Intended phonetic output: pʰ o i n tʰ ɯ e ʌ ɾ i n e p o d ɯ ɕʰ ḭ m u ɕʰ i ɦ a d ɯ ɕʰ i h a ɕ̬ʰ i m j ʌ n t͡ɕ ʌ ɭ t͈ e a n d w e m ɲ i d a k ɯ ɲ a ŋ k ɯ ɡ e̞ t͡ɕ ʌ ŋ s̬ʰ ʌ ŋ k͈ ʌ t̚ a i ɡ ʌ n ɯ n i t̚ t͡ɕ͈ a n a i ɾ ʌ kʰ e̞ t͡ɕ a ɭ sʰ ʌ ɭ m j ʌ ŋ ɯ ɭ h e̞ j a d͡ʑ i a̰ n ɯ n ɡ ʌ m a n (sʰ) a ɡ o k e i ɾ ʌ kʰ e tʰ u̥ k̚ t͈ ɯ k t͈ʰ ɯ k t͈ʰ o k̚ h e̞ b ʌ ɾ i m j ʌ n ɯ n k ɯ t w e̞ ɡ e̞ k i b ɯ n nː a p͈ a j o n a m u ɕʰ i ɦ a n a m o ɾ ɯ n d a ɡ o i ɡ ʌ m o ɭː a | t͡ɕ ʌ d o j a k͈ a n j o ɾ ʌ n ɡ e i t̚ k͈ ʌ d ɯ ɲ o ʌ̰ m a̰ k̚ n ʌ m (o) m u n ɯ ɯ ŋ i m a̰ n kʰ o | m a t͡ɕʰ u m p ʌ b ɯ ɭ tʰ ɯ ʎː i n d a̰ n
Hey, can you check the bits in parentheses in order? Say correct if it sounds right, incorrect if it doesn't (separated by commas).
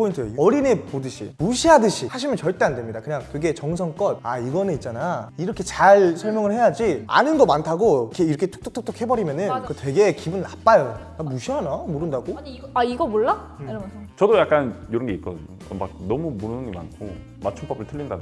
incorrect, incorrect